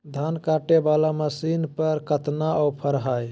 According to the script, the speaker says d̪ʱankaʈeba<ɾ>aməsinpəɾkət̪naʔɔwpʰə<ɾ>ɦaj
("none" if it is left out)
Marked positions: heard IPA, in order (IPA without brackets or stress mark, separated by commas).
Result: l, ɾ